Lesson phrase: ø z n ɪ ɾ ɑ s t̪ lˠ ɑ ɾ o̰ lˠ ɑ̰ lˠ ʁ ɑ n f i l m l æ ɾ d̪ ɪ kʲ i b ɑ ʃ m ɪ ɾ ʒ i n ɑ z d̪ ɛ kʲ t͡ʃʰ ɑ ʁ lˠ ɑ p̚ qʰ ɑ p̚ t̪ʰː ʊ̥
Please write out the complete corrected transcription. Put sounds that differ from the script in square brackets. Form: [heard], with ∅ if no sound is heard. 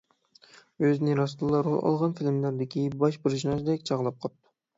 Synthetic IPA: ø z n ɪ ɾ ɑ s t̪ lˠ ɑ ɾ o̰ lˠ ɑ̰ lˠ ʁ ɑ n f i l m l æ ɾ d̪ ɪ kʲ i b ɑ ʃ [b] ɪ ɾ ʒ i n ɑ z d̪ ɛ kʲ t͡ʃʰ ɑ ʁ lˠ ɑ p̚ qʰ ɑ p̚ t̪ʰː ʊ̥